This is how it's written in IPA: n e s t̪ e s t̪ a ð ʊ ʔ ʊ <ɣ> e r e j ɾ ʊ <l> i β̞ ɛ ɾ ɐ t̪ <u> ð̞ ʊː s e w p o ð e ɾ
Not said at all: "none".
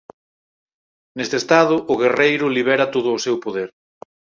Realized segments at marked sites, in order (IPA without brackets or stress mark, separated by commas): ɣ, l, o